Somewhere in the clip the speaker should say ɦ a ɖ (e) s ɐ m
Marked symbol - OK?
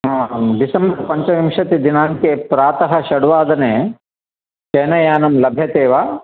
no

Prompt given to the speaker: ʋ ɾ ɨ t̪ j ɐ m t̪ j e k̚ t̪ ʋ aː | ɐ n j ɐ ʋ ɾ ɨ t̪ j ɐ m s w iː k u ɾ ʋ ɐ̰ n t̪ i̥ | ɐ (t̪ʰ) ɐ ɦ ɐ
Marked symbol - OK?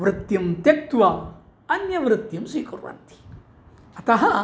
no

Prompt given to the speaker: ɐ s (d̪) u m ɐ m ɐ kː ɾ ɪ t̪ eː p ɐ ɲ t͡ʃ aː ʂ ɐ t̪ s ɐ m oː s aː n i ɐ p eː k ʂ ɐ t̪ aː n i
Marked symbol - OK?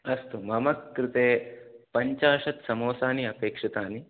no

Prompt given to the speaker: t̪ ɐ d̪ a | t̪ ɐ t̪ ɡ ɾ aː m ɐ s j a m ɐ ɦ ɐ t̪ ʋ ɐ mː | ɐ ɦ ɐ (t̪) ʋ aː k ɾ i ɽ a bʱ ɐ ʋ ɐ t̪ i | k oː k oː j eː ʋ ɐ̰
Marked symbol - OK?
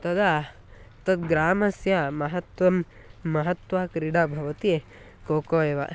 yes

